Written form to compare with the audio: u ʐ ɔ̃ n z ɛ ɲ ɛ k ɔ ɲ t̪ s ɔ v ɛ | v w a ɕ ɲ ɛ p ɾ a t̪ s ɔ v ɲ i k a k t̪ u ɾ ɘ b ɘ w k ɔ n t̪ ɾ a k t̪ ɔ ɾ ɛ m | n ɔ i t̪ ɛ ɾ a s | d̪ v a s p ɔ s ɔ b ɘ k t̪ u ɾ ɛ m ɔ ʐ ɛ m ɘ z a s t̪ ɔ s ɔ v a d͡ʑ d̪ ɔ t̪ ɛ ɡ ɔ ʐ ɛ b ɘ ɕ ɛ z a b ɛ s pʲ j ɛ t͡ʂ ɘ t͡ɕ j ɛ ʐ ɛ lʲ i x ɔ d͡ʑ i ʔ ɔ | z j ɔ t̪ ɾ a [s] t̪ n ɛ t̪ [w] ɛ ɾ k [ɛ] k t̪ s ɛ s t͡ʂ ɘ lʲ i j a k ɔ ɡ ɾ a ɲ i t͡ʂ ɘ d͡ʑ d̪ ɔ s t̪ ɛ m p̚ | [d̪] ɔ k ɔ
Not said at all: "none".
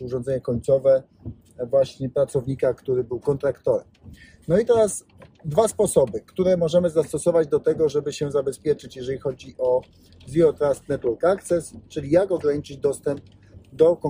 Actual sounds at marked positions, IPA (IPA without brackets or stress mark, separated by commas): s, w, a, d̪